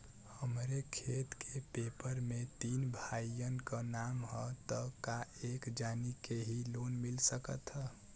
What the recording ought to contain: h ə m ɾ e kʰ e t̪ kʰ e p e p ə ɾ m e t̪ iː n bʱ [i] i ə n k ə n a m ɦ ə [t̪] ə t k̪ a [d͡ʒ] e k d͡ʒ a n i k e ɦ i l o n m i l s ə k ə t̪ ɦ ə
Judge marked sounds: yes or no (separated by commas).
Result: no, yes, no